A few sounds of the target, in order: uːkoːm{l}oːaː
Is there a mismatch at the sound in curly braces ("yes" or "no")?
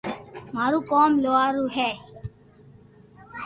no